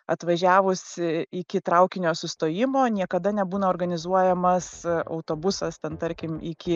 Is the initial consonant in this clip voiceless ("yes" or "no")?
yes